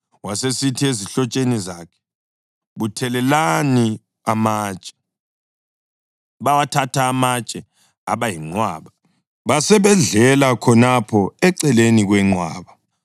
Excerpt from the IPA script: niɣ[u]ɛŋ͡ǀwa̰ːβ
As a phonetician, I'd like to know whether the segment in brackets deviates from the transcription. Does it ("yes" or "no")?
yes